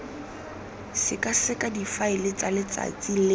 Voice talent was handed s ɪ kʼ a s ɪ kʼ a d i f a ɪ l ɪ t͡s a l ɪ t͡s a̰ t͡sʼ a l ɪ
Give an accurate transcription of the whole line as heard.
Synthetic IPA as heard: s ɪ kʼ a s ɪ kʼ a d i f a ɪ l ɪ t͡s a l ɪ t͡s a̰ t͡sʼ i l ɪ